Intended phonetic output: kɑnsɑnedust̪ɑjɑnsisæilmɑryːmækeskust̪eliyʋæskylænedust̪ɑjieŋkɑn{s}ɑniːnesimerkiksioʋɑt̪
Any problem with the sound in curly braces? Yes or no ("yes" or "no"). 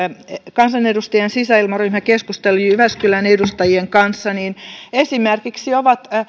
yes